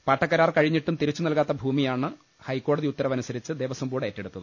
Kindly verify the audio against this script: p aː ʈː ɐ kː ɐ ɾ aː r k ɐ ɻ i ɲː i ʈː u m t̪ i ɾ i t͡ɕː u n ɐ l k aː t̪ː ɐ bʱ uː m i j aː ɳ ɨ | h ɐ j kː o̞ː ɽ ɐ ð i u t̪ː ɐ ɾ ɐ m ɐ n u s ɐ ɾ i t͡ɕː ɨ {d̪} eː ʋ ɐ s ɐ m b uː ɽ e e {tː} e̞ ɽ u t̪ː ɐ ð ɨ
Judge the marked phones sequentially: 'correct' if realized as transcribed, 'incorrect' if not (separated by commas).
correct, correct